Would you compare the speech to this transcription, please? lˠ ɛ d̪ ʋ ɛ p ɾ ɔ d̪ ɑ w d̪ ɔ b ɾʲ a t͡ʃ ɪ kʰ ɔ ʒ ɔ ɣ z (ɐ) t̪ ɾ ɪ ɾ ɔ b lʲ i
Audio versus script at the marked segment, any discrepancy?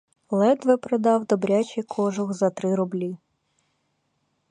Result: no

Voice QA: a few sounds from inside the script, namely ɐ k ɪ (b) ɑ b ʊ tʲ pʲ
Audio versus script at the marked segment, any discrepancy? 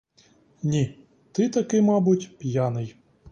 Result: yes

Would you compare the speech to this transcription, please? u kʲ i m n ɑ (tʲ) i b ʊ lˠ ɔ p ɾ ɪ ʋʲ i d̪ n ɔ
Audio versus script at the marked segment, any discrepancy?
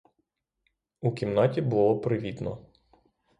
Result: no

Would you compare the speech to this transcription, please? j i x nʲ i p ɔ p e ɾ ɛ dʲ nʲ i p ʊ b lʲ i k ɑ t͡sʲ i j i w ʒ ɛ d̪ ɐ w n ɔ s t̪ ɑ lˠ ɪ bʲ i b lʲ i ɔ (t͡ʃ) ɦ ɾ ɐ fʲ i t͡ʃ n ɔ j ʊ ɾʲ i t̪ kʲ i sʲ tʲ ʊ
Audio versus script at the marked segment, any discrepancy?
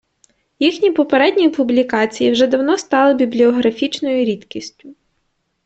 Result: yes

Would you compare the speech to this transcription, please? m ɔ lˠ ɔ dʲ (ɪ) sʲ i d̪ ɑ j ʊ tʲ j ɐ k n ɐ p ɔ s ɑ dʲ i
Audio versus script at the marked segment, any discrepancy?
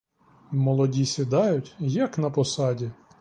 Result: yes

